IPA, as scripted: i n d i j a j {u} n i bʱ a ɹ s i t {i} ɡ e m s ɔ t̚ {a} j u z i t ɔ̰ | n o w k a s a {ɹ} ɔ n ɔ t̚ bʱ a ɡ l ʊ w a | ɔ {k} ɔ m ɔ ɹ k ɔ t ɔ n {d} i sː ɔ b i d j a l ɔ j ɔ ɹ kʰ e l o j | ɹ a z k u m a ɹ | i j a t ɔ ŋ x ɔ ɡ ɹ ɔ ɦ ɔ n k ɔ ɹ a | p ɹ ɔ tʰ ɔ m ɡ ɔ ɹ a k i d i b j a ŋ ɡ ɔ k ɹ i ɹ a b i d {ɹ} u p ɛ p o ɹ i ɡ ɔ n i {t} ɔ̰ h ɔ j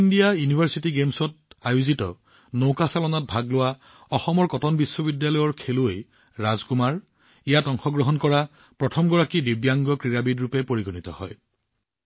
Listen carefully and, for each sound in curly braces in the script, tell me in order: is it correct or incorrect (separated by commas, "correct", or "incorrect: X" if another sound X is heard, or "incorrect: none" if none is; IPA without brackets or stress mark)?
correct, correct, correct, incorrect: l, incorrect: x, incorrect: b, correct, correct